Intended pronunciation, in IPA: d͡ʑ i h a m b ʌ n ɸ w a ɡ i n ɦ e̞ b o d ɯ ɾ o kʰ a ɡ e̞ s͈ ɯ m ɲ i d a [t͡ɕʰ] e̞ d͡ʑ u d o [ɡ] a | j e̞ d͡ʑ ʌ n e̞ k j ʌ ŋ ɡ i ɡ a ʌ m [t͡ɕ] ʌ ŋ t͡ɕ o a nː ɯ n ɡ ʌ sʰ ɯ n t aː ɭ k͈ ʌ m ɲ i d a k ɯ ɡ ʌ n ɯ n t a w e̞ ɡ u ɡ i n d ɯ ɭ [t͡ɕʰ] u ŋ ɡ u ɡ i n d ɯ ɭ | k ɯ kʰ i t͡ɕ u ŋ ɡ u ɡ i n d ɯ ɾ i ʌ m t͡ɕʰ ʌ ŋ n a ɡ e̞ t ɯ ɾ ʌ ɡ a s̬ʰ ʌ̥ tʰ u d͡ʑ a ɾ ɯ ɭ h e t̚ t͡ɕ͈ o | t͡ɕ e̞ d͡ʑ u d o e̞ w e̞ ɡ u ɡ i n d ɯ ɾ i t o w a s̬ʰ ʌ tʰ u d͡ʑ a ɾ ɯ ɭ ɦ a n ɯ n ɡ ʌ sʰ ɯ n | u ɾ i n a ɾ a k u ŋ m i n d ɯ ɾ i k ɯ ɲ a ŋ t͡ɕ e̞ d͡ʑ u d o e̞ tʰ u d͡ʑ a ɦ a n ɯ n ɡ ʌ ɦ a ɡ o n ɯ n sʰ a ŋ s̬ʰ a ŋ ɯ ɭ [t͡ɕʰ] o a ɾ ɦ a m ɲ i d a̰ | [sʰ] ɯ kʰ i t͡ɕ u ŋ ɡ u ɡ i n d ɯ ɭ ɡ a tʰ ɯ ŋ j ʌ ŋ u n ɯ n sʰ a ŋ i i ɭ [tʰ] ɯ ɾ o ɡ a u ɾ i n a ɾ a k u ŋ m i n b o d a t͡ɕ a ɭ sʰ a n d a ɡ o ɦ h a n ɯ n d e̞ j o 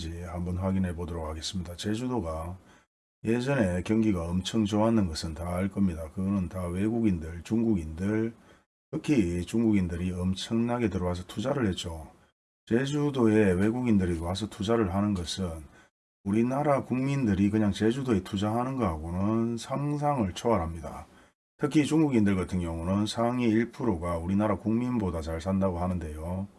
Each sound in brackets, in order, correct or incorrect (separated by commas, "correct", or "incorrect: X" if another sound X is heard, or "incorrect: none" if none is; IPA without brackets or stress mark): incorrect: t͡ɕ, correct, incorrect: t͡ɕʰ, incorrect: t͡ɕ, correct, incorrect: tʰ, incorrect: pʰ